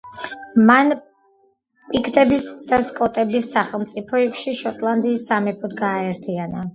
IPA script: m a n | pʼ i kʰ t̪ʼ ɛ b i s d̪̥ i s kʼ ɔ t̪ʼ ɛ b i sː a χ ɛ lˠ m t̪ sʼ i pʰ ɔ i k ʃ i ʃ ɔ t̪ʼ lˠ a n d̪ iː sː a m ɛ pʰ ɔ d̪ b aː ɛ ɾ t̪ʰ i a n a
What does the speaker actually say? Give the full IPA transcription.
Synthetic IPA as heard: m a n | pʼ i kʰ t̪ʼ ɛ b i s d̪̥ a s kʼ ɔ t̪ʼ ɛ b i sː a χ ɛ lˠ m t̪ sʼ i pʰ ɔ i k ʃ i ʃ ɔ t̪ʼ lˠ a n d̪ iː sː a m ɛ pʰ ɔ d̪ ɡ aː ɛ ɾ t̪ʰ i a n a

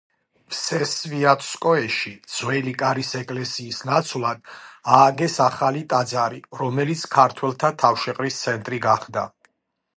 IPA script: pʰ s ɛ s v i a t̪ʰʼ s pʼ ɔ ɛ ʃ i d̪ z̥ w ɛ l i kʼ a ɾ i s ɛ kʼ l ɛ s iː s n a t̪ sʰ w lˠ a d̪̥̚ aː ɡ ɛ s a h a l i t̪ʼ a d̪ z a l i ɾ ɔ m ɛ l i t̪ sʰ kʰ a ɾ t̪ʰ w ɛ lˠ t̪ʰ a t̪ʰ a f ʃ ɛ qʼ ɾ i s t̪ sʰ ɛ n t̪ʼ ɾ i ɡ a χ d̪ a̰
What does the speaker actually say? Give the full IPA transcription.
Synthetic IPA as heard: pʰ s ɛ s v i a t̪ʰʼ s kʼ ɔ ɛ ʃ i d̪ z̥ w ɛ l i kʼ a ɾ i s ɛ kʼ l ɛ s iː s n a t̪ sʰ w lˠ a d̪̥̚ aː ɡ ɛ s a χ a l i t̪ʼ a d̪ z a ɾ i ɾ ɔ m ɛ l i t̪ sʰ kʰ a ɾ t̪ʰ w ɛ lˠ t̪ʰ a t̪ʰ a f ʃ ɛ qʼ ɾ i s t̪ sʰ ɛ n t̪ʼ ɾ i ɡ a χ d̪ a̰

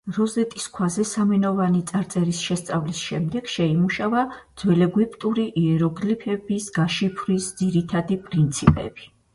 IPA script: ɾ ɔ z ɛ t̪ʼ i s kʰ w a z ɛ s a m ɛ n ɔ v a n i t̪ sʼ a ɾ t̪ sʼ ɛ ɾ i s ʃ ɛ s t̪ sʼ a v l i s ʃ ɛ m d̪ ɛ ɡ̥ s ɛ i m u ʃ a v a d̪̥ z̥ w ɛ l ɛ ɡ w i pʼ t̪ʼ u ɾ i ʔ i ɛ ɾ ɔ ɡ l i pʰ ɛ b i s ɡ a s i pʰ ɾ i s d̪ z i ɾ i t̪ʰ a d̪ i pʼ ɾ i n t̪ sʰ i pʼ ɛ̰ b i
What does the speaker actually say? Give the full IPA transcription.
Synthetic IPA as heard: ɾ ɔ z ɛ t̪ʼ i s kʰ w a z ɛ s a m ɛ n ɔ v a n i t̪ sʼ a ɾ t̪ sʼ ɛ ɾ i s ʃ ɛ s t̪ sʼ a v l i s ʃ ɛ m d̪ ɛ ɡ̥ ʃ ɛ i m u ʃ a v a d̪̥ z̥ w ɛ l ɛ ɡ w i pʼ t̪ʼ u ɾ i ʔ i ɛ ɾ ɔ ɡ l i pʰ ɛ b i s ɡ a ʃ i pʰ ɾ i s d̪ z i ɾ i t̪ʰ a d̪ i pʼ ɾ i n t̪ sʰ i pʼ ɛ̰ b i

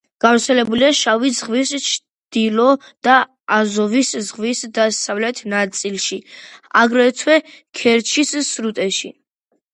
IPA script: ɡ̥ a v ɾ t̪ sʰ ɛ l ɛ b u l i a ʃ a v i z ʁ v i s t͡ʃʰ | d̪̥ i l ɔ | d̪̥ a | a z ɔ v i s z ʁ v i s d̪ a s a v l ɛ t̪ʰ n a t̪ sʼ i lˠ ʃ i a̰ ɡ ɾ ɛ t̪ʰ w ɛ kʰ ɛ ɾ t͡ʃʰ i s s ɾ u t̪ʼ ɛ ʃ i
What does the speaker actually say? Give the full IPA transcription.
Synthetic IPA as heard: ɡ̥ a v ɾ t̪ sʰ ɛ l ɛ b u l i a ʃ a v i z ʁ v i s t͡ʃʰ | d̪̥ i l ɔ | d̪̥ a | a z ɔ v i s z ʁ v i s d̪ a s a v l ɛ t̪ʰ n a t̪ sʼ i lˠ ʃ i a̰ ɡ ɾ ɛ t̪ʰ w ɛ kʰ ɛ ɾ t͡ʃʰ i s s ɾ u t̪ʼ ɛ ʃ i

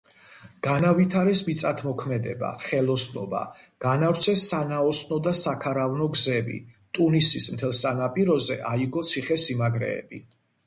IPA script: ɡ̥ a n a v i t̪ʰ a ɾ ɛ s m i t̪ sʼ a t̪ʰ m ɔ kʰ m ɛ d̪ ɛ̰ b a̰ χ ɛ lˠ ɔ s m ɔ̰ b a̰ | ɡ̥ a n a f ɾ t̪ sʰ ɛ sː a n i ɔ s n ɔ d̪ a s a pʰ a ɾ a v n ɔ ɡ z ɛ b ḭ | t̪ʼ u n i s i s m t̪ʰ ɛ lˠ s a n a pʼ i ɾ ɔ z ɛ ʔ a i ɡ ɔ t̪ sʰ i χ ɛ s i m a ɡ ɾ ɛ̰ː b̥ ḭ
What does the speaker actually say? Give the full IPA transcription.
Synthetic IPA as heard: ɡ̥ a n a v i t̪ʰ a ɾ ɛ s m i t̪ sʼ a t̪ʰ m ɔ kʰ m ɛ d̪ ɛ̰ b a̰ χ ɛ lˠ ɔ s n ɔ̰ b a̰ | ɡ̥ a n a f ɾ t̪ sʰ ɛ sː a n a ɔ s n ɔ d̪ a s a kʰ a ɾ a v n ɔ ɡ z ɛ b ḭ | t̪ʼ u n i s i s m t̪ʰ ɛ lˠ s a n a pʼ i ɾ ɔ z ɛ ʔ a i ɡ ɔ t̪ sʰ i χ ɛ s i m a ɡ ɾ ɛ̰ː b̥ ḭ

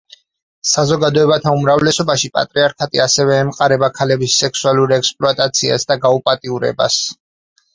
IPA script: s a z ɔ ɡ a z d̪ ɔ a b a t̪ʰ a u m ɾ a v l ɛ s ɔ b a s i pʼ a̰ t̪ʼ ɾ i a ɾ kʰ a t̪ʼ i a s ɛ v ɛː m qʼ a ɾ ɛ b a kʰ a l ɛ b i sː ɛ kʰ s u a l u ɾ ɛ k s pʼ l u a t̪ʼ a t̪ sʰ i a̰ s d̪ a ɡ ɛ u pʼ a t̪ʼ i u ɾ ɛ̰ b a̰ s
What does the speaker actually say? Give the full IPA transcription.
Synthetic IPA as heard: s a z ɔ ɡ a d̪ ɔ ɛ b a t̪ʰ a u m ɾ a v l ɛ s ɔ b a ʃ i pʼ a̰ t̪ʼ ɾ i a ɾ kʰ a t̪ʼ i a s ɛ v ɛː m qʼ a ɾ ɛ b a kʰ a l ɛ b i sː ɛ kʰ s u a l u ɾ ɛ k s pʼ l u a t̪ʼ a t̪ sʰ i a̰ s d̪ a ɡ a u pʼ a t̪ʼ i u ɾ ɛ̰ b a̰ s

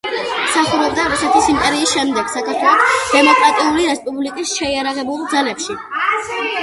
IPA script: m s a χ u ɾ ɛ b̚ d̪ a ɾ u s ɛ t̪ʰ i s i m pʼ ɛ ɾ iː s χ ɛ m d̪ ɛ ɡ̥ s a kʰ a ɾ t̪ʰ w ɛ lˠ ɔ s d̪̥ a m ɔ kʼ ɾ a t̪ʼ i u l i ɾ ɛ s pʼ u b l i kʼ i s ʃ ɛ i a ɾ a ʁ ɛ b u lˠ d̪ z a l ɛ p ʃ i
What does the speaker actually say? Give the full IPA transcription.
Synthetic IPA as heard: m s a χ u ɾ ɛ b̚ d̪ a ɾ u s ɛ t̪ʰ i s i m pʼ ɛ ɾ iː s ʃ ɛ m d̪ ɛ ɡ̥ s a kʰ a ɾ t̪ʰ w ɛ lˠ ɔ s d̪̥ ɛ m ɔ kʼ ɾ a t̪ʼ i u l i ɾ ɛ s pʼ u b l i kʼ i s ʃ ɛ i a ɾ a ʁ ɛ b u lˠ d̪ z a l ɛ p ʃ i

